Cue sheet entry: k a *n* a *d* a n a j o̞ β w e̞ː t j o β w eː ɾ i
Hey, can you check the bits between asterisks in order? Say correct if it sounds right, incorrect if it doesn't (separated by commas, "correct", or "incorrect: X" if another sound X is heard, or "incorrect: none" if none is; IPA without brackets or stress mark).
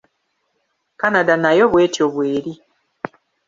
correct, correct